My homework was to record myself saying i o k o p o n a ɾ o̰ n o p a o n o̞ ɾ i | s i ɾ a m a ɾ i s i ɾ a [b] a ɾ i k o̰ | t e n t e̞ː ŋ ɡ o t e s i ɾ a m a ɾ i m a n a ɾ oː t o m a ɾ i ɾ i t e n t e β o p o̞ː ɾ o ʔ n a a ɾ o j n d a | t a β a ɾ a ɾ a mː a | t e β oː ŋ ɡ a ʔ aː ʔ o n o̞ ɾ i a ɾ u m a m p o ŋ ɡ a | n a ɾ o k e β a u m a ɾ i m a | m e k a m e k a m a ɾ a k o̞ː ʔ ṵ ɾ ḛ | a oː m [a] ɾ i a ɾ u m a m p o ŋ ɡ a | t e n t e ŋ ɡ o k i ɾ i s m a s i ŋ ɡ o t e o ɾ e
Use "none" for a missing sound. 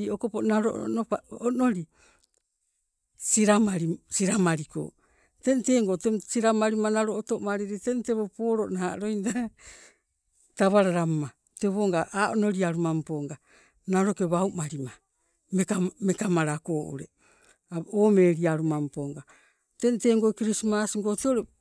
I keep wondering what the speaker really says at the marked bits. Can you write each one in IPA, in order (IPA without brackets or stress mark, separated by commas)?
m, e